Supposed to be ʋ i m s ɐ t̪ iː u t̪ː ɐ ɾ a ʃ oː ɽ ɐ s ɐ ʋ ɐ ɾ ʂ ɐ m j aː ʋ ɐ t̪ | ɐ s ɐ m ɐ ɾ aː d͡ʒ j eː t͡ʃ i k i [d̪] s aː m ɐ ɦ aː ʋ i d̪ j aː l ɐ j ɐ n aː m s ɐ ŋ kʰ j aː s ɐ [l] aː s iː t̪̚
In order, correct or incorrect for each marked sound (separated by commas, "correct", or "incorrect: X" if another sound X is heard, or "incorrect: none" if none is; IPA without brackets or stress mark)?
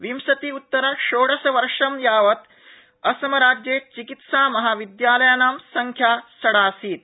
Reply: incorrect: t̪, incorrect: ɽ